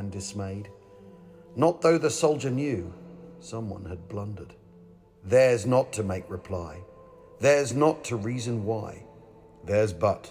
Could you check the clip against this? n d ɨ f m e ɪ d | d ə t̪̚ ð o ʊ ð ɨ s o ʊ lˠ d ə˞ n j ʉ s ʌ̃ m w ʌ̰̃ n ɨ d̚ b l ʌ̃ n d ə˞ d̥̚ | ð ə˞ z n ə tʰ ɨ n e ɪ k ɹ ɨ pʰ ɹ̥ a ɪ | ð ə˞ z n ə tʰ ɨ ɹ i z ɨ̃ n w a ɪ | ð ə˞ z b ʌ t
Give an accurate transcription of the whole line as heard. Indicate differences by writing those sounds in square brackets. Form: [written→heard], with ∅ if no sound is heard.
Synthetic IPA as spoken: n d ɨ [f→s] m e ɪ d | [d→n] ə t̪̚ ð o ʊ ð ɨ s o ʊ lˠ [d→d͡ʒ] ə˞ n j ʉ s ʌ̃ m w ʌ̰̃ n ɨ d̚ b l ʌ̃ n d ə˞ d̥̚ | ð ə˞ z n ə tʰ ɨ [n→m] e ɪ k ɹ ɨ pʰ [ɹ̥→l̥] a ɪ | ð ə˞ z n ə tʰ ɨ ɹ i z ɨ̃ n w a ɪ | ð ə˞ z b ʌ t